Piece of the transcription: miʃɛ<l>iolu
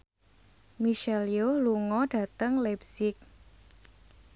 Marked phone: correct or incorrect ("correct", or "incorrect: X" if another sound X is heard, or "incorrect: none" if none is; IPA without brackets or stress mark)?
correct